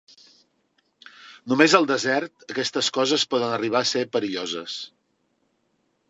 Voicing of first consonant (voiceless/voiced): voiced